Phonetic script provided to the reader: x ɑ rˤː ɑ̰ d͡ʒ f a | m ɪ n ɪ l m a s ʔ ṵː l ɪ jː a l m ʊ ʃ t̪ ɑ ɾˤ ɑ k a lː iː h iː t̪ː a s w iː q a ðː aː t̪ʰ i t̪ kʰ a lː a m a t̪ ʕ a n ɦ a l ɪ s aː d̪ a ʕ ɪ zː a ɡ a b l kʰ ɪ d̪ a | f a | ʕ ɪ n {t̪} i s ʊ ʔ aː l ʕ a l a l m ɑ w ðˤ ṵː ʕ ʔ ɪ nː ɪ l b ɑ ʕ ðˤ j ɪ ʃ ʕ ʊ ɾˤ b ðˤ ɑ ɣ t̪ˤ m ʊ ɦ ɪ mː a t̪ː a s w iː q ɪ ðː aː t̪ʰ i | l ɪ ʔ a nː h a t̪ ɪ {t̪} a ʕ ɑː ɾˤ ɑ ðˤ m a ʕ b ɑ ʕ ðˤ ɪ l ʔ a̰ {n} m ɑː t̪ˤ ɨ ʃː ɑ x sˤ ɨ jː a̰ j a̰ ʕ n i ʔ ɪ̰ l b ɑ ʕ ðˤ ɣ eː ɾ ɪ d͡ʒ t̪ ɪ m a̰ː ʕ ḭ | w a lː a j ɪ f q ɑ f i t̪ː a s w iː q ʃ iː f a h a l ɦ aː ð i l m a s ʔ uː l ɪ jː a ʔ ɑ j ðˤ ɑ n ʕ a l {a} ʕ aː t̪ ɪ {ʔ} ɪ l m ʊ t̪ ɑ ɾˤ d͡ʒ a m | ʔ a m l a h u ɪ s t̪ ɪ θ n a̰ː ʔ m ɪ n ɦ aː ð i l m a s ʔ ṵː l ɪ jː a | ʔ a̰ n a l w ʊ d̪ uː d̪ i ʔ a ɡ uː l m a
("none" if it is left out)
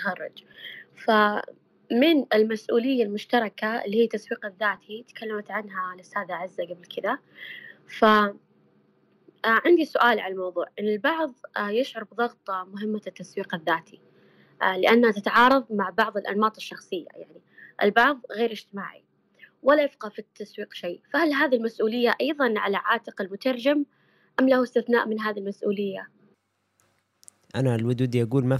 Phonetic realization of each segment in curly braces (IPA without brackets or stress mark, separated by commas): d̪, t̪, n, a, q